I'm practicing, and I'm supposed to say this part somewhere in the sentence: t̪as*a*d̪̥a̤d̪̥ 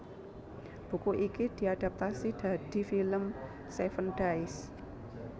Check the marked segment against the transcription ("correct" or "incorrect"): incorrect